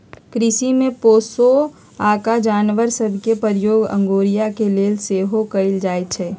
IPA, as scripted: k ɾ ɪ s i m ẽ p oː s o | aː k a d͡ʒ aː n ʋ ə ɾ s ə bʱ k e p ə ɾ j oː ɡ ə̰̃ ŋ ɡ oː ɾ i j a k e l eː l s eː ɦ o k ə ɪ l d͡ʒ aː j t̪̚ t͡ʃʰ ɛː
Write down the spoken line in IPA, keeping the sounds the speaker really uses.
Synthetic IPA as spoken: k ɾ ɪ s i m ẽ p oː s o | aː k a d͡ʒ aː n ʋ ə ɾ s ə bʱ k e p ə ɾ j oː ɡ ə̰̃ ŋ ɡ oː ɾ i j a k e l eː l s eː ɦ o k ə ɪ l d͡ʒ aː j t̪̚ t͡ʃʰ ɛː